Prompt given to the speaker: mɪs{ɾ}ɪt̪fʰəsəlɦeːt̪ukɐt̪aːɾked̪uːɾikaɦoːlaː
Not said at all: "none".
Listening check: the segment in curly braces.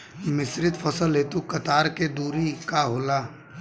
ɾ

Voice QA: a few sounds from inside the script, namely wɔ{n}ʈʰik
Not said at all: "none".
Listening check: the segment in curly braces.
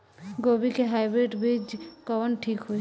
n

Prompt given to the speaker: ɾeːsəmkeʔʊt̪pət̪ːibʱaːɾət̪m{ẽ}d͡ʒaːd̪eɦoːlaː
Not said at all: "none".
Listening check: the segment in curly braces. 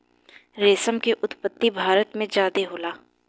ẽ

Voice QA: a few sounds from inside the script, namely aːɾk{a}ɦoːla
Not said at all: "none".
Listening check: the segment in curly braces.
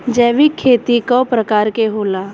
e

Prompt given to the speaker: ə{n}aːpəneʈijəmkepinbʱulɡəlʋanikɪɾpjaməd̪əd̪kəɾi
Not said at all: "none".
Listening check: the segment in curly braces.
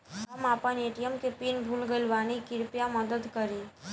m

